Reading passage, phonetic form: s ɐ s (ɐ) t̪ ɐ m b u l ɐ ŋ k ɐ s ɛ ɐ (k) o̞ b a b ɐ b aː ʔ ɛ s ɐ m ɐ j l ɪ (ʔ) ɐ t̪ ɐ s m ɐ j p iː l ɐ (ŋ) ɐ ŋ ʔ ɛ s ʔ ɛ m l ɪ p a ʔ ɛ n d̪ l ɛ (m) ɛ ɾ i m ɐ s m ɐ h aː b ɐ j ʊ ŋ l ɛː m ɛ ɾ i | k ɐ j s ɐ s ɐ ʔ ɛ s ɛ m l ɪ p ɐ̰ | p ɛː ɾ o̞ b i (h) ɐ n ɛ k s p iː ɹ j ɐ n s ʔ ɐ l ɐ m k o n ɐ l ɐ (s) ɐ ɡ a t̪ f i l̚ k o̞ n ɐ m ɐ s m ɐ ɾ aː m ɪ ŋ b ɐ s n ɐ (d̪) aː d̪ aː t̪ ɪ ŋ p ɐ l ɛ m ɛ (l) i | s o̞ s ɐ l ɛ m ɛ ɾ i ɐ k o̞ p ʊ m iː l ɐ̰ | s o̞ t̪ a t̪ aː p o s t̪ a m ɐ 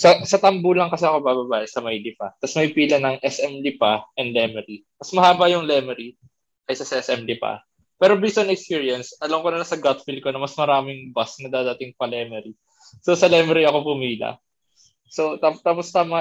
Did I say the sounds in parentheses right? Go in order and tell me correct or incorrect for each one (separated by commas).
correct, correct, incorrect, incorrect, correct, incorrect, correct, correct, incorrect